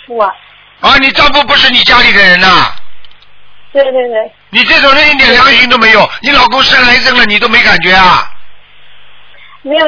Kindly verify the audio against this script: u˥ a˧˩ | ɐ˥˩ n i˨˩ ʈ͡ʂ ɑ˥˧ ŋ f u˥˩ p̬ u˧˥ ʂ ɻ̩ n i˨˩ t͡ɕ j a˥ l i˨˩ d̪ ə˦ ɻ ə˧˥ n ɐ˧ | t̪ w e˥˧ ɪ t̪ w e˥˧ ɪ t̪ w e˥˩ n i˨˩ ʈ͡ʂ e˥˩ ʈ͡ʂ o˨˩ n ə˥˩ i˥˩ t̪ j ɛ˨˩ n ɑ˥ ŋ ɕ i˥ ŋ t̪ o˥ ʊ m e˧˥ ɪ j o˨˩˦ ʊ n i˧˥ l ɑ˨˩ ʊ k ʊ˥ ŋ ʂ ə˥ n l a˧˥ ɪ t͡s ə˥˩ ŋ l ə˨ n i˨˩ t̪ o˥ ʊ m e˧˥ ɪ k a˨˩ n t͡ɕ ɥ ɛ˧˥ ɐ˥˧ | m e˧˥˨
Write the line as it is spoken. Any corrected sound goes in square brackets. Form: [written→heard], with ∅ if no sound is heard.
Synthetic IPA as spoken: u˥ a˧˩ | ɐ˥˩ n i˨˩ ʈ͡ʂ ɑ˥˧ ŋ f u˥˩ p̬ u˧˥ ʂ ɻ̩ n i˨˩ t͡ɕ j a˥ l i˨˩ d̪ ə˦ ɻ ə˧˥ n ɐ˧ | t̪ w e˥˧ ɪ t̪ w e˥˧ ɪ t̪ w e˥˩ n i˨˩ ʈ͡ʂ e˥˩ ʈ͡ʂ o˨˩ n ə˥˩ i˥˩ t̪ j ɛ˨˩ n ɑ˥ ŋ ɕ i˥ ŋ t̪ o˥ ʊ m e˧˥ ɪ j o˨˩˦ ʊ n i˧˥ l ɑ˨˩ ʊ k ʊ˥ ŋ ʂ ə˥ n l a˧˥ ɪ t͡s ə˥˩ ŋ l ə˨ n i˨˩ t̪ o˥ ʊ m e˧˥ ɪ k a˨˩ n t͡ɕ ɥ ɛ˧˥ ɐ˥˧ | m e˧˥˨